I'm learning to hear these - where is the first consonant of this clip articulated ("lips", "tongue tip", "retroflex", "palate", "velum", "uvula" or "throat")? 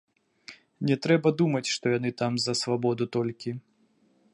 tongue tip